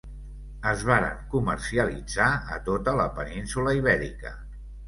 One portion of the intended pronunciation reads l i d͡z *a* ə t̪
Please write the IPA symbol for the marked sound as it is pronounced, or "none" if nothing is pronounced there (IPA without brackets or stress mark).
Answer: a